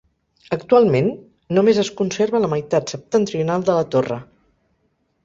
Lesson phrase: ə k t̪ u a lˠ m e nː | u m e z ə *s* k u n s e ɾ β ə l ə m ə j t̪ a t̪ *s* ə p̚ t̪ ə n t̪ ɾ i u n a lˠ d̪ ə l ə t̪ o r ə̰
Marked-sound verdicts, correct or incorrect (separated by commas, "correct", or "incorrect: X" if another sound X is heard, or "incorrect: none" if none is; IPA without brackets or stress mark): correct, correct